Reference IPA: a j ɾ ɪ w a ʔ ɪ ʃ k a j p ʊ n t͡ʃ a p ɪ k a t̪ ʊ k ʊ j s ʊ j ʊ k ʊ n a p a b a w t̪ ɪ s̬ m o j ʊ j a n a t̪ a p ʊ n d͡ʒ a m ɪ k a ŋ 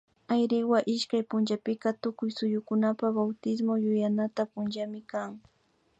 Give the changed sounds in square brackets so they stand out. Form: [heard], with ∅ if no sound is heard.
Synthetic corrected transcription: a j ɾ ɪ w a ʔ ɪ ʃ k a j p ʊ n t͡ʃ a p ɪ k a t̪ ʊ k ʊ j s ʊ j ʊ k ʊ n a p a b a w t̪ ɪ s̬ m o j ʊ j a n a t̪ a p ʊ n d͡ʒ a m ɪ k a ŋ